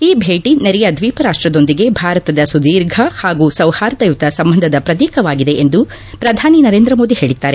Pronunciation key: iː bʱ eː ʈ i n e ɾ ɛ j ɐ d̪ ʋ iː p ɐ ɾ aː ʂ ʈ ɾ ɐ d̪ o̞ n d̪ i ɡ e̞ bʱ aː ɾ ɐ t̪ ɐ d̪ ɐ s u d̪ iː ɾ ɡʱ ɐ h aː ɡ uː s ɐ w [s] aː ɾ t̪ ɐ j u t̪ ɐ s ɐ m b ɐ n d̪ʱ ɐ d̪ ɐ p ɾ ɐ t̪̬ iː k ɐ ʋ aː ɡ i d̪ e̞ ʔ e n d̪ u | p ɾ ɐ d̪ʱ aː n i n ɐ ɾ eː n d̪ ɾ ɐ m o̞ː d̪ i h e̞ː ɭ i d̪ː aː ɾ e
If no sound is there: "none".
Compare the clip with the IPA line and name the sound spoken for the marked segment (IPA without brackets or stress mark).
h